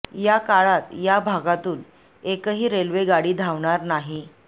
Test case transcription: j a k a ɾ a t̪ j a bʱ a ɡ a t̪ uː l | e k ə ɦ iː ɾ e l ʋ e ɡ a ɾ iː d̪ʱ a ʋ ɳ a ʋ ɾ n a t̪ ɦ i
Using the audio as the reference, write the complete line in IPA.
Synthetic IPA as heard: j a k a ɭ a t̪ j a bʱ a ɡ a t̪ uː l | e k ə ɦ iː ɾ e l ʋ e ɡ a ɽ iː d̪ʱ a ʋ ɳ a ɾ n a ɦ i

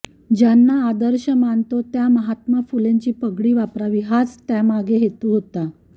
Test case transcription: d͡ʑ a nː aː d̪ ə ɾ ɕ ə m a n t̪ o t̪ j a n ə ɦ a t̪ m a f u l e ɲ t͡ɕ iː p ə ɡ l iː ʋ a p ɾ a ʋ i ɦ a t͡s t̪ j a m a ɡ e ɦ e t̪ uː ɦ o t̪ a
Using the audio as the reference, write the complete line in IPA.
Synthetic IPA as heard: d͡ʑ a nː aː d̪ ə ɾ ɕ ə m a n t̪ o t̪ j a m ə ɦ a t̪ m a f u l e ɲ t͡ɕ iː p ə ɡ ɽ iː ʋ a p ɾ a ʋ i ɦ a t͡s t̪ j a m a ɡ e ɦ e t̪ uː ɦ o t̪ a

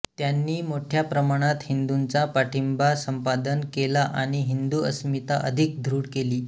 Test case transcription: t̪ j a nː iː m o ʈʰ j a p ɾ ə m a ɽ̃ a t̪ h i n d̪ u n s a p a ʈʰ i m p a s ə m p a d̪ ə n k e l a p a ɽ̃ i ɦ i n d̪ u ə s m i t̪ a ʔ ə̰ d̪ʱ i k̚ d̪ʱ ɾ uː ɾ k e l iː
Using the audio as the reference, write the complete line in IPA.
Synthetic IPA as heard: t̪ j a nː iː m o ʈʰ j a p ɾ ə m a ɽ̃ a t̪ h i n d̪ u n t͡s a p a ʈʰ i m b a s ə m p a d̪ ə n k e l a ʔ a ɽ̃ i ɦ i n d̪ u ə s m i t̪ a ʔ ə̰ d̪ʱ i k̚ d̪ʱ ɾ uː ɽ k e l iː

